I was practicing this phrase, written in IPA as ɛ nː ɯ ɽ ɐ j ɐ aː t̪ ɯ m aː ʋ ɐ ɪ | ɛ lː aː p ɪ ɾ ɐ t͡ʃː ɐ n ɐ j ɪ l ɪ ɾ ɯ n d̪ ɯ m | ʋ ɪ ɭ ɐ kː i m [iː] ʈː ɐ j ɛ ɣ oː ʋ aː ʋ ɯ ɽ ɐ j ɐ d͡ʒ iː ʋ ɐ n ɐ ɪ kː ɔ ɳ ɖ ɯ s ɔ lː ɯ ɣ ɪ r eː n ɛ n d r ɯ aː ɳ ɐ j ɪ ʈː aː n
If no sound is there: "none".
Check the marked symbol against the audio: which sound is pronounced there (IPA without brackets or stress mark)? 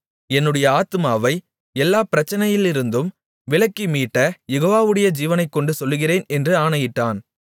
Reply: iː